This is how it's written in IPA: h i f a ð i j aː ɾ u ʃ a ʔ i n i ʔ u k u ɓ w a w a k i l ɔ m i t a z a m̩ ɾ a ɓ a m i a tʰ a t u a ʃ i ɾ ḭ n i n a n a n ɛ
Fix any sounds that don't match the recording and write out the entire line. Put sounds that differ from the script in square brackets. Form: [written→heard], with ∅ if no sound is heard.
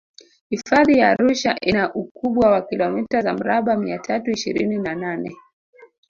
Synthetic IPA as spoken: h i f a ð i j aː ɾ u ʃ a ʔ i n [i→a] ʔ u k u ɓ w a w a k i l ɔ m i t a z a m̩ ɾ a ɓ a m i a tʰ a t u [a→i] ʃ i ɾ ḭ n i n a n a n ɛ